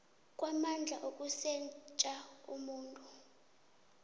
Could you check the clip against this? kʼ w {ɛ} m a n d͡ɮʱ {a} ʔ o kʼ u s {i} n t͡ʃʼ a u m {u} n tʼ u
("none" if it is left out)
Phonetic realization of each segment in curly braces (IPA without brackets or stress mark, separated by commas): a, a, ɛ, uː